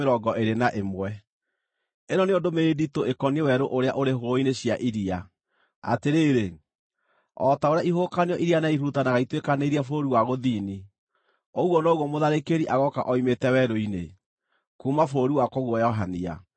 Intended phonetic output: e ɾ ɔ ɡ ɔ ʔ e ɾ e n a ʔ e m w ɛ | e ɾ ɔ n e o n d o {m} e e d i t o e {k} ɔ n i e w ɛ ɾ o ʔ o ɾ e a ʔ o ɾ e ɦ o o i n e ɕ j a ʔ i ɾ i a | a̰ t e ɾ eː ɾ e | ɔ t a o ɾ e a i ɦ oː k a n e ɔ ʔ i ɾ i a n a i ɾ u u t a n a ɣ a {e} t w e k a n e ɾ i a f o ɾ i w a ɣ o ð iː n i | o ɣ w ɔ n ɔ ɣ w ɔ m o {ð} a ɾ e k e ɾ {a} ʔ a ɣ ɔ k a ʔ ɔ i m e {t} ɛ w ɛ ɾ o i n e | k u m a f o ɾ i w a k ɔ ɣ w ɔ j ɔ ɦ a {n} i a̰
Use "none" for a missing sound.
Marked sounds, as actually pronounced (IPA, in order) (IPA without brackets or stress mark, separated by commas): m, k, i, ð, i, t, n